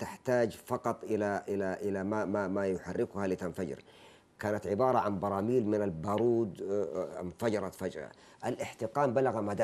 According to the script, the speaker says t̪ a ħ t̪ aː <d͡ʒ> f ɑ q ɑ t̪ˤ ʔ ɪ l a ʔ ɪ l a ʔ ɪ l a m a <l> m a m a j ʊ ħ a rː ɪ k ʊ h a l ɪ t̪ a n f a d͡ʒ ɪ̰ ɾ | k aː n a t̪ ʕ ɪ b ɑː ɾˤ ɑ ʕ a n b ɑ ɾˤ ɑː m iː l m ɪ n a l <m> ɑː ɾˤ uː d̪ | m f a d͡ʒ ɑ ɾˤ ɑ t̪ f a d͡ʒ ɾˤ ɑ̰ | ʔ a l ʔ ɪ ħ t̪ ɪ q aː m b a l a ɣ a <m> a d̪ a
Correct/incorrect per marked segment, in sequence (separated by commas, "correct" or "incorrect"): correct, incorrect, incorrect, correct